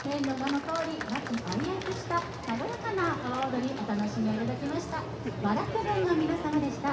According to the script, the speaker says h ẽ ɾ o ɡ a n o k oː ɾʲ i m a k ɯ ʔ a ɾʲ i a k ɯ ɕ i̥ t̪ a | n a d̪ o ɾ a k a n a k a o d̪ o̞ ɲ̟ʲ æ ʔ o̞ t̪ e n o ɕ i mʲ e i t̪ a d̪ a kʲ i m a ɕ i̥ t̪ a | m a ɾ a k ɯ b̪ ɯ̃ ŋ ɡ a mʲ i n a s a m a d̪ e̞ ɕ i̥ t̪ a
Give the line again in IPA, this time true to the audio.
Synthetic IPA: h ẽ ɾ o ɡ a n o k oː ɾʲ i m a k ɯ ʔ a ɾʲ i a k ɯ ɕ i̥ t̪ a | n a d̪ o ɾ a k a n a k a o d̪ o̞ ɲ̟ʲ i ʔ o̞ t̪ a n o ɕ i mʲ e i t̪ a d̪ a kʲ i m a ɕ i̥ t̪ a | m a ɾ a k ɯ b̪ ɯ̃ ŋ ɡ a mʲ i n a s a m a d̪ e̞ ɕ i̥ t̪ a